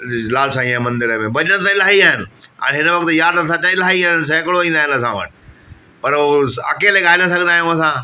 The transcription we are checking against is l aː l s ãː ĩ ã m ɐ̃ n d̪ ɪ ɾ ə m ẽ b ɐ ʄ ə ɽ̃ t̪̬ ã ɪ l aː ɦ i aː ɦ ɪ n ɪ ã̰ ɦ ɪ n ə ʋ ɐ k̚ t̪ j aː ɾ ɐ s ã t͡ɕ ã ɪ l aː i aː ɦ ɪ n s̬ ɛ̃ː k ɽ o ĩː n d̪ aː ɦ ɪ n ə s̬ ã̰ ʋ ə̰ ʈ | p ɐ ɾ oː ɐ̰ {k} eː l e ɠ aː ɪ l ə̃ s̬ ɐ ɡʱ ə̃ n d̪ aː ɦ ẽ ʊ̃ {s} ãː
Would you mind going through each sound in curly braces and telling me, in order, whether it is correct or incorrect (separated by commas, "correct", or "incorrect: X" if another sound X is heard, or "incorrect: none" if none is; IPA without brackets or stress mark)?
correct, correct